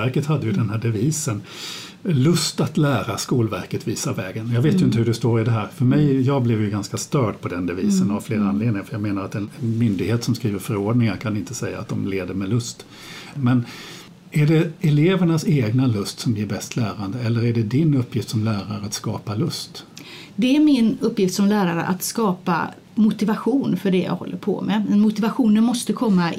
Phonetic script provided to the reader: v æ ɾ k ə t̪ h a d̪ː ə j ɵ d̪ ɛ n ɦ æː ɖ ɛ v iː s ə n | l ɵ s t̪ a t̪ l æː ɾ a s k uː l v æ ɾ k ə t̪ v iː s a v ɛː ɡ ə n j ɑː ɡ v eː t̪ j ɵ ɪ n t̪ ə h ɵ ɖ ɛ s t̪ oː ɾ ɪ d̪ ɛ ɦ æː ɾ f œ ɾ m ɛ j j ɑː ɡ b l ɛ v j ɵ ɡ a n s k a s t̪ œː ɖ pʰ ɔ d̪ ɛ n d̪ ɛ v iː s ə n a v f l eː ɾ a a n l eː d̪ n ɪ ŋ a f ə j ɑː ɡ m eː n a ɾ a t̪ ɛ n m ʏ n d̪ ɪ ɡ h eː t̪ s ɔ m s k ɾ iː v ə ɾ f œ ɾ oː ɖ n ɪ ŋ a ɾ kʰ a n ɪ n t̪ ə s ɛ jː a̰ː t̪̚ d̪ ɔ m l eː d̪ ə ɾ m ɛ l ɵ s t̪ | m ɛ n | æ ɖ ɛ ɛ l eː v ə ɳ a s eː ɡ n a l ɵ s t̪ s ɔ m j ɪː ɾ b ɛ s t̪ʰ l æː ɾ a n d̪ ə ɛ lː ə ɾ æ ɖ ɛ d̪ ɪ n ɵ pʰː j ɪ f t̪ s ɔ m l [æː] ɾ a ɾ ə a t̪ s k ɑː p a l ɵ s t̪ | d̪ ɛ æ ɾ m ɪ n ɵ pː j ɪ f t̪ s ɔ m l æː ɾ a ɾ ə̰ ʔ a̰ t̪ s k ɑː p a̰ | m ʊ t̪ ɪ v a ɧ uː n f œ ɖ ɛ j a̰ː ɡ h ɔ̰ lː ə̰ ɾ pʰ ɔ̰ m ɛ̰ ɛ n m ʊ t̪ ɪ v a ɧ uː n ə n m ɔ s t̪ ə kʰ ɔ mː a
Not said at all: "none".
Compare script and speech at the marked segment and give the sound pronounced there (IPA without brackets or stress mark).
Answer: æː